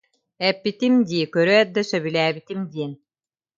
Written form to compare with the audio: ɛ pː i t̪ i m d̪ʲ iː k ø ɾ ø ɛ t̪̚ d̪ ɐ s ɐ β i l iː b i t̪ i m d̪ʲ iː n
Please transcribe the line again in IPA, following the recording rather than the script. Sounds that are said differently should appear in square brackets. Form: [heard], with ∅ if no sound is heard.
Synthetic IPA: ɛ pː i t̪ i m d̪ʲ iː k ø ɾ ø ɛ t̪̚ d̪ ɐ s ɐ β i l [æː] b i t̪ i m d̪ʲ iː n